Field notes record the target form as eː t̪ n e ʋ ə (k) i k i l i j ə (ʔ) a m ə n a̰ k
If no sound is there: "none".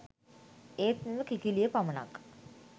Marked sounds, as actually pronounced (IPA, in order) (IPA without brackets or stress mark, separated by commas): k, p